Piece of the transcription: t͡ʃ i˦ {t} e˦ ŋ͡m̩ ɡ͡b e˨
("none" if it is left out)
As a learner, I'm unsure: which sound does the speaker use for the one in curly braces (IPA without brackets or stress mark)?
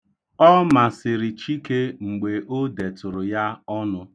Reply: k